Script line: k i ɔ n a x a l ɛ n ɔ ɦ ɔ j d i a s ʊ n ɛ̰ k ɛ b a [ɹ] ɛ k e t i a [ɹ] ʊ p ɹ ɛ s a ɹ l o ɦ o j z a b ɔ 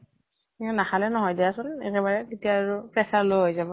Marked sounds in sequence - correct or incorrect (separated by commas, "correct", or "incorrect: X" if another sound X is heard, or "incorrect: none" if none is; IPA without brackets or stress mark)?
correct, correct